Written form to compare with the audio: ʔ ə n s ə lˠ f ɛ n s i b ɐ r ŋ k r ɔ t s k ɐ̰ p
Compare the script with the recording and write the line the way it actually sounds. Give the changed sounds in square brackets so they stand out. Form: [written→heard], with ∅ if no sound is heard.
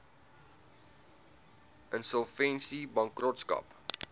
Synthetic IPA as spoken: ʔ ə n s ə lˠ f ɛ n s i b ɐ [r→∅] ŋ k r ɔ t s k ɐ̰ p